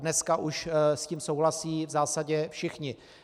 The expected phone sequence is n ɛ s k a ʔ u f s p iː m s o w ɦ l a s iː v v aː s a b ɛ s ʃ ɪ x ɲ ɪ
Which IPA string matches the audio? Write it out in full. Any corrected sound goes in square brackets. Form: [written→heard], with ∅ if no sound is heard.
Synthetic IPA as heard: n ɛ s k a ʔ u [f→ʃ] s [p→c] iː m s o w ɦ l a s iː v [v→z] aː s a [b→ɟ] ɛ [s→f] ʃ ɪ x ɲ ɪ

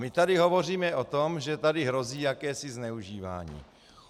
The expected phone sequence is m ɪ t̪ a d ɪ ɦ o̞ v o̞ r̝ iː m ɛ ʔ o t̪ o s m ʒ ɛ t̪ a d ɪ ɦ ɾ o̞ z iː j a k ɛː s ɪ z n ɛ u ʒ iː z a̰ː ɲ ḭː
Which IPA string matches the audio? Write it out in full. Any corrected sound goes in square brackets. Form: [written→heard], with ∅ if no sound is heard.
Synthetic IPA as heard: m ɪ t̪ a d ɪ ɦ o̞ v o̞ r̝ iː m ɛ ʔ o t̪ o [s→∅] m ʒ ɛ t̪ a d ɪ ɦ ɾ o̞ z iː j a k ɛː s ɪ z n ɛ u ʒ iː [z→v] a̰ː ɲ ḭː

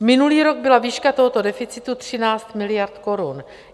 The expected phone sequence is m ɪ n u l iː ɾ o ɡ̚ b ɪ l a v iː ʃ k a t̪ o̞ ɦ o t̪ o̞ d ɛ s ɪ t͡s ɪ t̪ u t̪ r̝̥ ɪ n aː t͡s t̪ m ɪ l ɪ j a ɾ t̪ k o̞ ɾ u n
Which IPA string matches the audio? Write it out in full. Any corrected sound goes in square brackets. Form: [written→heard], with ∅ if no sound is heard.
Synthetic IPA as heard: m ɪ n u l iː ɾ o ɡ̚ b ɪ l a v iː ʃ k a t̪ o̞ ɦ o t̪ o̞ d ɛ [s→f] ɪ t͡s ɪ t̪ u t̪ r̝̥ ɪ n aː t͡s t̪ m ɪ l ɪ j a ɾ t̪ k o̞ ɾ u n

